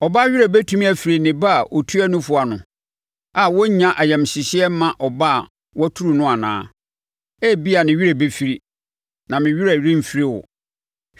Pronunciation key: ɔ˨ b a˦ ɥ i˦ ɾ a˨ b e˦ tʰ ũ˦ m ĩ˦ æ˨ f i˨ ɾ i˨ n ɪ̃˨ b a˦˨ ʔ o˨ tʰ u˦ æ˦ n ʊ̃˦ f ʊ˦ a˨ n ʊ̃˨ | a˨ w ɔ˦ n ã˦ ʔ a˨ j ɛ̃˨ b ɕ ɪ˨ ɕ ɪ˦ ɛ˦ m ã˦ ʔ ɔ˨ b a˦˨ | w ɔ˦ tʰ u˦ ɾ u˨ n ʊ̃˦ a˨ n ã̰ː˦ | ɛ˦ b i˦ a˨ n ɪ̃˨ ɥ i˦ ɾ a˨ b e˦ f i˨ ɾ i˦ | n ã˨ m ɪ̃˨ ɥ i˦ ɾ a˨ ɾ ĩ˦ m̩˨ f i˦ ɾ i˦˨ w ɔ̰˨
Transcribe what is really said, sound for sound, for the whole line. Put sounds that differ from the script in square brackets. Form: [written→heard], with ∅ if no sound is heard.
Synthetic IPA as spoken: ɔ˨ b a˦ ɥ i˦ ɾ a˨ b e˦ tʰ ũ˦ m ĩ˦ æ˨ f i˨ ɾ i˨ n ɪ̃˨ b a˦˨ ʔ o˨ tʰ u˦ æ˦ n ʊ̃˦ f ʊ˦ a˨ n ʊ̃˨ | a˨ w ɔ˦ [n→ɲ] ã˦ ʔ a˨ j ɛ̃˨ [b→m] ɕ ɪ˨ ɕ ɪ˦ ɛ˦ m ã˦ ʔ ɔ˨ b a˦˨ | w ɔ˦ tʰ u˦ ɾ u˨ n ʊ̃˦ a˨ n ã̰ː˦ | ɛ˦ b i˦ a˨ n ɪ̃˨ ɥ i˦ ɾ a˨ b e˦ f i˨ ɾ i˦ | n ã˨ m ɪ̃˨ ɥ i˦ ɾ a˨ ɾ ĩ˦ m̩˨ f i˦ ɾ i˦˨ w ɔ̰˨